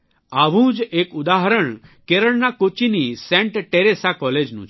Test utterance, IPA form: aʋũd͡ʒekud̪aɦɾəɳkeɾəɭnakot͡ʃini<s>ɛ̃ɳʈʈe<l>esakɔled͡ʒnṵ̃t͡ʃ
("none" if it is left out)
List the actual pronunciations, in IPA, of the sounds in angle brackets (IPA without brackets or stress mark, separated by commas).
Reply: s, ɾ